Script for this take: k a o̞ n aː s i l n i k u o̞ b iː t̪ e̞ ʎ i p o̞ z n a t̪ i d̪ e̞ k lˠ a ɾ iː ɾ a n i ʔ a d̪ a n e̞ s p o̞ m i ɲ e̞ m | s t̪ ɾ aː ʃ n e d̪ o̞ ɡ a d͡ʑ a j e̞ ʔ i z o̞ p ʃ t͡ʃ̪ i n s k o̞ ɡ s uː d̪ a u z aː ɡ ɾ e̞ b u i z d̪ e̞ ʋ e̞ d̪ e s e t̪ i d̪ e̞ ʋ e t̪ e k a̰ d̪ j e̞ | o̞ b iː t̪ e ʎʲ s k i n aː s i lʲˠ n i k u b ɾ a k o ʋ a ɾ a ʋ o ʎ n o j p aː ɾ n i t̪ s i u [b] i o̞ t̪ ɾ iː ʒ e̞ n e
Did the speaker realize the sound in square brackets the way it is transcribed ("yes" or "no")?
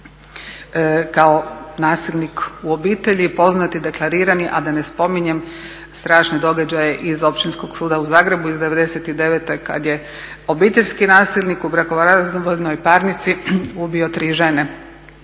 yes